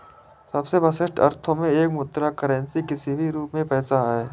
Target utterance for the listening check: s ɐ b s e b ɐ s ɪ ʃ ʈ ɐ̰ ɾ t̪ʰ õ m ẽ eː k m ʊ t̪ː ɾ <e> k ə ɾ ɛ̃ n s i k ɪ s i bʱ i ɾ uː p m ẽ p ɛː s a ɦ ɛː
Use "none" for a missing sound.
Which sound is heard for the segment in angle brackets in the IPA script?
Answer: a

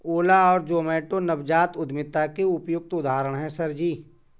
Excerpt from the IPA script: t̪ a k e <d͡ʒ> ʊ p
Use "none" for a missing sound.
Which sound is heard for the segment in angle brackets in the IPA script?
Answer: none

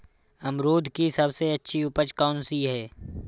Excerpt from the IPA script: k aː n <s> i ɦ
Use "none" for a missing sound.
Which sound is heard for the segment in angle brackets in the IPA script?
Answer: s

